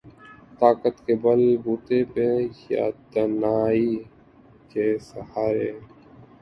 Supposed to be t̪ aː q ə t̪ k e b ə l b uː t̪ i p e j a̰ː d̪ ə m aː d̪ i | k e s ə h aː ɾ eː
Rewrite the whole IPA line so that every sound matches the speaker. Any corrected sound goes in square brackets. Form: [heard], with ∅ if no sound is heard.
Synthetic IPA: t̪ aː [k] ə t̪ k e b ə l b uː t̪ [e] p e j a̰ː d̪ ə [n] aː [∅] i | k e s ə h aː ɾ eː